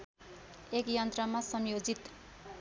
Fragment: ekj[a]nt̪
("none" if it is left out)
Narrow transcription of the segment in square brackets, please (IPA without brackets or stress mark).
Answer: ʌ